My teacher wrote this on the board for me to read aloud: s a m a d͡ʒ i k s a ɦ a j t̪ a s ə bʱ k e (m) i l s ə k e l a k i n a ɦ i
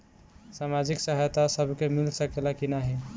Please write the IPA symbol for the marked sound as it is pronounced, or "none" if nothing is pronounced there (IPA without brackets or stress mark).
m